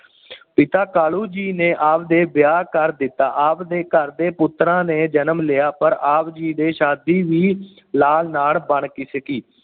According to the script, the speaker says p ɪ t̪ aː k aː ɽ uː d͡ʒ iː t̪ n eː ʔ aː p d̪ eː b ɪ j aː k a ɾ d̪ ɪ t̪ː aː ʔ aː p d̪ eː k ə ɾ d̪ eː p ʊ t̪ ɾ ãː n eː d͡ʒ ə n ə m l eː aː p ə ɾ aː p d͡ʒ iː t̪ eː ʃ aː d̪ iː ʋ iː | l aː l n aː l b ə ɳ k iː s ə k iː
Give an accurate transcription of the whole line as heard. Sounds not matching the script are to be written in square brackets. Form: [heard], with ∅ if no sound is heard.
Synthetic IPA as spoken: p ɪ t̪ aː k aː [l] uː d͡ʒ iː [∅] n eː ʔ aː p d̪ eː b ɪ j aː k [ə] ɾ d̪ ɪ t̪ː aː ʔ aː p d̪ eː k ə ɾ d̪ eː p ʊ t̪ ɾ ãː n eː d͡ʒ ə n ə m l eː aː p ə ɾ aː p d͡ʒ iː [d̪] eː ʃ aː d̪ iː ʋ iː | l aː l n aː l b ə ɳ k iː s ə k iː